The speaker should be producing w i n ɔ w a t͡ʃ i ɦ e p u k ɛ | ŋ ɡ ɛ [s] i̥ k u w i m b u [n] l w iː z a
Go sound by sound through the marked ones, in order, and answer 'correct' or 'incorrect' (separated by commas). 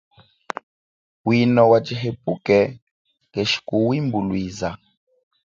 incorrect, incorrect